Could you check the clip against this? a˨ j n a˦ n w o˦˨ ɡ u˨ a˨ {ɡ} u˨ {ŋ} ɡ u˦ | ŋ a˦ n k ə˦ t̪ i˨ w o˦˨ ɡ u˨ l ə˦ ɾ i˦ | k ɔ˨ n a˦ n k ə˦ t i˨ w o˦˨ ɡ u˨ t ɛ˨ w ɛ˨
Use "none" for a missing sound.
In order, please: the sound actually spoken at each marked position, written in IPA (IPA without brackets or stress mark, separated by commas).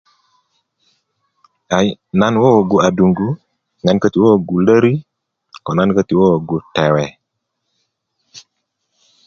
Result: d, ŋ